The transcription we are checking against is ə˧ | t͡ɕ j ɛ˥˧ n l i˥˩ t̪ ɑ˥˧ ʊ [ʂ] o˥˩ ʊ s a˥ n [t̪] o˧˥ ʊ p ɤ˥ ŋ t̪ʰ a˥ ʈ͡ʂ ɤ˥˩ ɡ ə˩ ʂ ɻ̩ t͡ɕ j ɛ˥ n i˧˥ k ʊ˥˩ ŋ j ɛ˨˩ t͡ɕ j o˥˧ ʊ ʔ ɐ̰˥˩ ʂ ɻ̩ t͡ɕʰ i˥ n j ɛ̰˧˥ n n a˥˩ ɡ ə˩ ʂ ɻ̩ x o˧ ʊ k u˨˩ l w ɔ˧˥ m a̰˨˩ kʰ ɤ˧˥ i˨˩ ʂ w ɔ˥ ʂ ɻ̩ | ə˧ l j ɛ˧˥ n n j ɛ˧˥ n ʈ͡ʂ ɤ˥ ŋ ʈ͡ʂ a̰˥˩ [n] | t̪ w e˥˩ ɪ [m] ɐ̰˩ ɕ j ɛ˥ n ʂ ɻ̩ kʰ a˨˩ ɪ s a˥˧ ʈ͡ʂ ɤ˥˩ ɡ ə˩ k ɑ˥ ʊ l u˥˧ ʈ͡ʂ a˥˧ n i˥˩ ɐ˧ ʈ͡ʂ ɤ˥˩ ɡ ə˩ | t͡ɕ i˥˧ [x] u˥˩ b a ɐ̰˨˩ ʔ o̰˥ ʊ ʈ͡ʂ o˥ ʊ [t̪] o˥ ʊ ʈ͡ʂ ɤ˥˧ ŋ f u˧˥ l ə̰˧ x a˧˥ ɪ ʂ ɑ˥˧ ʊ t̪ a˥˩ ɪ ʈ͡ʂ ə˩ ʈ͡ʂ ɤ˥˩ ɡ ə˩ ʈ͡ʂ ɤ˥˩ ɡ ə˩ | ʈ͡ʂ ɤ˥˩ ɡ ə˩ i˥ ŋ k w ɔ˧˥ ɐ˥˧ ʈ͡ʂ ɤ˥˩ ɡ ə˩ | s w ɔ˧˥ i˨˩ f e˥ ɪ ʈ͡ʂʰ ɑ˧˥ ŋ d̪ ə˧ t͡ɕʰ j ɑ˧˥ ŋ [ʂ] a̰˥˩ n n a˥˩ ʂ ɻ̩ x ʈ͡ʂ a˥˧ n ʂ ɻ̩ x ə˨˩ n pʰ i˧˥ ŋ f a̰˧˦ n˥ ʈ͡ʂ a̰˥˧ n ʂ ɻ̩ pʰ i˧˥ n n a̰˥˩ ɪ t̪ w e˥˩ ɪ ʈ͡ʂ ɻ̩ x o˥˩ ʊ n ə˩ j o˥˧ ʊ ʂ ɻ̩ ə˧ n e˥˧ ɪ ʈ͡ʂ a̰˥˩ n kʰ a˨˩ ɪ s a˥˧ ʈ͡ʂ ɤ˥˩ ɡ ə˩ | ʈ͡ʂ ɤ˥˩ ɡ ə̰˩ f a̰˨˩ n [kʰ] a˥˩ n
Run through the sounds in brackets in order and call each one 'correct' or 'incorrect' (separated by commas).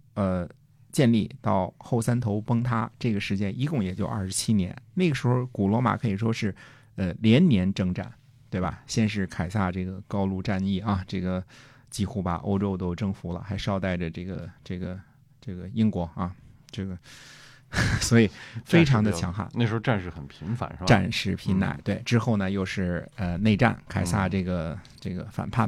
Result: incorrect, incorrect, correct, incorrect, correct, correct, incorrect, incorrect